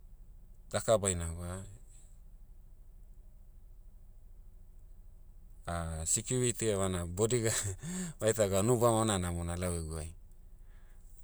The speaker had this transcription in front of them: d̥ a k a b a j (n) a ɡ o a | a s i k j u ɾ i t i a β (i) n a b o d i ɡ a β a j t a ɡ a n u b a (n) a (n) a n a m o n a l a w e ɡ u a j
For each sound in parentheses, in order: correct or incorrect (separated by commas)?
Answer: correct, incorrect, incorrect, correct